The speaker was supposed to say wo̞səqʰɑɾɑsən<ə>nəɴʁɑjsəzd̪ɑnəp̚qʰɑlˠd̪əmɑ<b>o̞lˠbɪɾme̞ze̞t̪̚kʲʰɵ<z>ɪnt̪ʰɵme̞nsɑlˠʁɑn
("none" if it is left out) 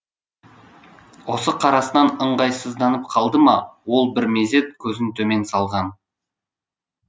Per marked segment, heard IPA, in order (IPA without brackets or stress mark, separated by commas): ɑ, w, z